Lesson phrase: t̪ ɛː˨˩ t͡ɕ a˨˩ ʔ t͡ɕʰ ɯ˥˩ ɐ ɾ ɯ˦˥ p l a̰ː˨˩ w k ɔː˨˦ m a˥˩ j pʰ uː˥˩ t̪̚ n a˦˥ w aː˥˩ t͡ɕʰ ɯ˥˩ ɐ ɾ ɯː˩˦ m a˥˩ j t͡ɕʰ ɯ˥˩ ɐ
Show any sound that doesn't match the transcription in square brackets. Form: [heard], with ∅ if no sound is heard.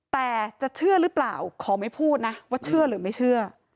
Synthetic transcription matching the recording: t̪ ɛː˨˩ t͡ɕ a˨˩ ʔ t͡ɕʰ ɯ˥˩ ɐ ɾ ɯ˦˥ p l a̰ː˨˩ w [kʰ] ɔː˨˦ m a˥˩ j pʰ uː˥˩ t̪̚ n a˦˥ w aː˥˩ t͡ɕʰ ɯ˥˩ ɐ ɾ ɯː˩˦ m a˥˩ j t͡ɕʰ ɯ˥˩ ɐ

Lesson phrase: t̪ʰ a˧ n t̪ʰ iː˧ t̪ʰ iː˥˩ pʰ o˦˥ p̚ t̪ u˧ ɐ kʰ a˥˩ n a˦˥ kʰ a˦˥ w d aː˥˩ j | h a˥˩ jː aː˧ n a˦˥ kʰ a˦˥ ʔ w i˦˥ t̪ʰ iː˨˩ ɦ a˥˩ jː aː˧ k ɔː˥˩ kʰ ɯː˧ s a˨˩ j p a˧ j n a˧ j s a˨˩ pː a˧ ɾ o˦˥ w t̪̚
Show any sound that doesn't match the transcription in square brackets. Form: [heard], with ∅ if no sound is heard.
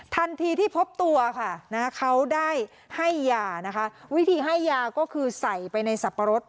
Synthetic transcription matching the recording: t̪ʰ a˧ n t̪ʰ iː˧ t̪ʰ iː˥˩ pʰ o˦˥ p̚ t̪ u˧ ɐ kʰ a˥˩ n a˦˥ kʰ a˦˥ w d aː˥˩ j | h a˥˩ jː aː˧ n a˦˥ kʰ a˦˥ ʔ w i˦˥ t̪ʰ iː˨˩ ɦ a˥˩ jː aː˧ k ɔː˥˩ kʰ ɯː˧ s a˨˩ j p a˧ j n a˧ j s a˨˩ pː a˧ ɾ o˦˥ [∅] t̪̚

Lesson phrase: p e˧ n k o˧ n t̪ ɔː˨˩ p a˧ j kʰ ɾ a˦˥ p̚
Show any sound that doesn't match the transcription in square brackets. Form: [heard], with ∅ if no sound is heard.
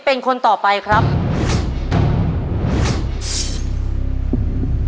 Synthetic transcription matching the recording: p e˧ n [kʰ] o˧ n t̪ ɔː˨˩ p a˧ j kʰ ɾ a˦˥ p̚

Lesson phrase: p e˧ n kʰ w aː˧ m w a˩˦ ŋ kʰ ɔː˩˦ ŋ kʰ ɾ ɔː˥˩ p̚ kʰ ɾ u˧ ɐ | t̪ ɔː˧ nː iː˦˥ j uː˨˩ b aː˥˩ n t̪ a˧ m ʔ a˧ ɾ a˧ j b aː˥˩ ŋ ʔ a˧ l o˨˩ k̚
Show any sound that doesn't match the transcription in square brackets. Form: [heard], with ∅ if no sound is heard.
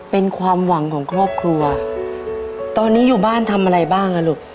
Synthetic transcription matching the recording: p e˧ n kʰ w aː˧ m w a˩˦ ŋ kʰ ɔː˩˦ ŋ kʰ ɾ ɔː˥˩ p̚ kʰ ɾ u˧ ɐ | t̪ ɔː˧ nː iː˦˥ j uː˨˩ b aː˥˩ n [t̪ʰ] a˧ m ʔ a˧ ɾ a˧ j b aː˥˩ ŋ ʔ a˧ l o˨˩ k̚

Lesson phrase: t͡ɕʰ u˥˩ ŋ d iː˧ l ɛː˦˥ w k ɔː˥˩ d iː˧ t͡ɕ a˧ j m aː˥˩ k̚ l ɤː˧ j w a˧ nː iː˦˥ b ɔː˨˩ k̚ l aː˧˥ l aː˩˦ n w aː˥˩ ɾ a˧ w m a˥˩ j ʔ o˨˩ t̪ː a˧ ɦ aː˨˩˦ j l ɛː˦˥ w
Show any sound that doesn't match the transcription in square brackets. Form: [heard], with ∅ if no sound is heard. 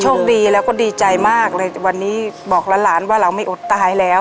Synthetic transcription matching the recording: t͡ɕʰ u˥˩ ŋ d iː˧ l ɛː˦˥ w k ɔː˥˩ d iː˧ t͡ɕ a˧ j m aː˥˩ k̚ l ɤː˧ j w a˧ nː iː˦˥ b ɔː˨˩ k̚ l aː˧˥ l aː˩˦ n w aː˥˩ ɾ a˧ w m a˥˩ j ʔ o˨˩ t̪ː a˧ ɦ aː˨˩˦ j l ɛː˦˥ w

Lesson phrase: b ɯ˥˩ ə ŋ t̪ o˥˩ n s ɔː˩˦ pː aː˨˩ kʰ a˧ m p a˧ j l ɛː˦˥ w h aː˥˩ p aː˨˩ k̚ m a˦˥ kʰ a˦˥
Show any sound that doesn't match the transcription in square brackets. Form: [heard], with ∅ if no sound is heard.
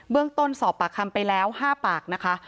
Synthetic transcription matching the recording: b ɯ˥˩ ə ŋ t̪ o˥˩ n s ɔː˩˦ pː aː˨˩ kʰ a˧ m p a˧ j l ɛː˦˥ w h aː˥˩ p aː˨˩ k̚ [n] a˦˥ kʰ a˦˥

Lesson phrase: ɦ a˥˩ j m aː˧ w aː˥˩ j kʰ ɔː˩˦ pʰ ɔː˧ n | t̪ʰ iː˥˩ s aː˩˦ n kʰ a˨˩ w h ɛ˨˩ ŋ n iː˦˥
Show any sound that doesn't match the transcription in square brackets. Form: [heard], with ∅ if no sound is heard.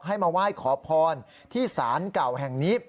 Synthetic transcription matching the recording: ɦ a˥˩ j m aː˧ w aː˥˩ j kʰ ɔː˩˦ pʰ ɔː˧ n | t̪ʰ iː˥˩ s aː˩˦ n [k] a˨˩ w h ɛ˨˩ ŋ n iː˦˥

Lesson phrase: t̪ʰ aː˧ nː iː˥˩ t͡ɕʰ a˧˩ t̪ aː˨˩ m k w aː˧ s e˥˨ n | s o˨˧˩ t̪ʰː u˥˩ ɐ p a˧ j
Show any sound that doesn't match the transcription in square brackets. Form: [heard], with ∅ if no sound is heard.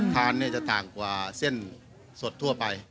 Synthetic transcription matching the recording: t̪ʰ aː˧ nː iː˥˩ [t͡ɕ] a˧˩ t̪ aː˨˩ [ŋ] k w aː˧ s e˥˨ n | s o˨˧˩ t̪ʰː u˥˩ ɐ p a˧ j

